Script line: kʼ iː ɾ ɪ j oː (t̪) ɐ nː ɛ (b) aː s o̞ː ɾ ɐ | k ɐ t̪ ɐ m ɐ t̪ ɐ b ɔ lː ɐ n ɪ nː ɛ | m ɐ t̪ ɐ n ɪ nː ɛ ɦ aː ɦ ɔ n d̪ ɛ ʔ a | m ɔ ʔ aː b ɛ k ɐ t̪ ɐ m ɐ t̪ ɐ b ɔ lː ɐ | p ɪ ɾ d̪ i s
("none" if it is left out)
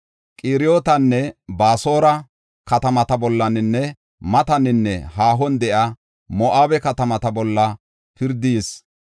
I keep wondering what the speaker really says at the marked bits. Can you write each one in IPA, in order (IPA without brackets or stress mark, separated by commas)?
t̪, b